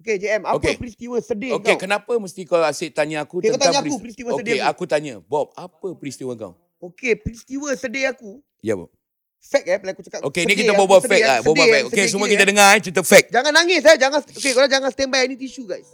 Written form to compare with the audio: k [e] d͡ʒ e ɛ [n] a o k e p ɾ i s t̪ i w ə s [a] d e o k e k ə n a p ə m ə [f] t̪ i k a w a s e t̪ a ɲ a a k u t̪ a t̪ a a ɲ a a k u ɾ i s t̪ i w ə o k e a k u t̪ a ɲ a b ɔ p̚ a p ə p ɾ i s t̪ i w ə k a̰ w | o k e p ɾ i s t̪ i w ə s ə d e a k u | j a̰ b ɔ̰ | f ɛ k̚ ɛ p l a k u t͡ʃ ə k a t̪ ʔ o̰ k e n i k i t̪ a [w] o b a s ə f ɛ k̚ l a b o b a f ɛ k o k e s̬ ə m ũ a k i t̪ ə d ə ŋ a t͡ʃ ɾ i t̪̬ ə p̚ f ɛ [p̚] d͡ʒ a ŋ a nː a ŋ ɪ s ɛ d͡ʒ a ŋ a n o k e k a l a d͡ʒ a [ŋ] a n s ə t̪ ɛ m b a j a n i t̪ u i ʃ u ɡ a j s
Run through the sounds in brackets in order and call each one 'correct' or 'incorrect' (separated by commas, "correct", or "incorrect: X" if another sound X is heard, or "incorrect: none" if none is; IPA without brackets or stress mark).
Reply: correct, incorrect: m, incorrect: ə, incorrect: s, incorrect: b, incorrect: k̚, correct